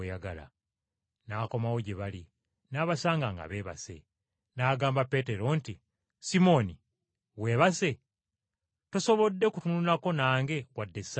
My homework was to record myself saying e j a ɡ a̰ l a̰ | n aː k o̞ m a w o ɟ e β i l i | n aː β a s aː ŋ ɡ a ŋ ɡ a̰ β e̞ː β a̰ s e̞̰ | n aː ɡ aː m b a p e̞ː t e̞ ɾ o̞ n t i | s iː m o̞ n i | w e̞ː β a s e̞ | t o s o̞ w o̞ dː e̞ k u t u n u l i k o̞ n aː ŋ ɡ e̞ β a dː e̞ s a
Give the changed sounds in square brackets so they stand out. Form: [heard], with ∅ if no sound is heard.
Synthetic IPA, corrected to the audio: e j a ɡ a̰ l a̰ | n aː k o̞ m a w o ɟ e β [a] l i | n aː β a s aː ŋ ɡ a ŋ ɡ a̰ β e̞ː β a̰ s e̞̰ | n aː ɡ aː m b a p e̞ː t e̞ ɾ o̞ n t i | s [i] m o̞ n i | w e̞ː β a s e̞ | t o s o̞ [β] o̞ dː e̞ k u t u n u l [a] k o̞ n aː ŋ ɡ e̞ [w] a dː e̞ s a